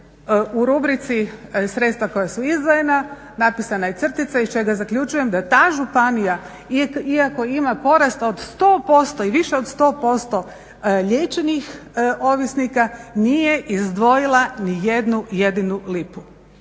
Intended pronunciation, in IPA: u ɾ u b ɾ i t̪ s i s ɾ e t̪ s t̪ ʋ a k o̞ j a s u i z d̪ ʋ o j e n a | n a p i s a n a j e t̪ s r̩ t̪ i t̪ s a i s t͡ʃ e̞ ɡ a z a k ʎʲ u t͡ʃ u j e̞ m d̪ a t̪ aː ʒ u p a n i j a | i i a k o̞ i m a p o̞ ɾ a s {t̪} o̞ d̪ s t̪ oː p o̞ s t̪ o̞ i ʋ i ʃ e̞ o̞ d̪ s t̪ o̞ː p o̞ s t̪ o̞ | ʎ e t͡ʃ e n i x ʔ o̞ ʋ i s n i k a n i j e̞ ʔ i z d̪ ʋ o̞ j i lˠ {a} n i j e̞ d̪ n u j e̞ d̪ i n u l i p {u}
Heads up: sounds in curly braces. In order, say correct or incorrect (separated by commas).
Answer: correct, correct, correct